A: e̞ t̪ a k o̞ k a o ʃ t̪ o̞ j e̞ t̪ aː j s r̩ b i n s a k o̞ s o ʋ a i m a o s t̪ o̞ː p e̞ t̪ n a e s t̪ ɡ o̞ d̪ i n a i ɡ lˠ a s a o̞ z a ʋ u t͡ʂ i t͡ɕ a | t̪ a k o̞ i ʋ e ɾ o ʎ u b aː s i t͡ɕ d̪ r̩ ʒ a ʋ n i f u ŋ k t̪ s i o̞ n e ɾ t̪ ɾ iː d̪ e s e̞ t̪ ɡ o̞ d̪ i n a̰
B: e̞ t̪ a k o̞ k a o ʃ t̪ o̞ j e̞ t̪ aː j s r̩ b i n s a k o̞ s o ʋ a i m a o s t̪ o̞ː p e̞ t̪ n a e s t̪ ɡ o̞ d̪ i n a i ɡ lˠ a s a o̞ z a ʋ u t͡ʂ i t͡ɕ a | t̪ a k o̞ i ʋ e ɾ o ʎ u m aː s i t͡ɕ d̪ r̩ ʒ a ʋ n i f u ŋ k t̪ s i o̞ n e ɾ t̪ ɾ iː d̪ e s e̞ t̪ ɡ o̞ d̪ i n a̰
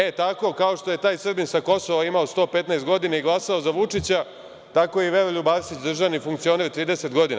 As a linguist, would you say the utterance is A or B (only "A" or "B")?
A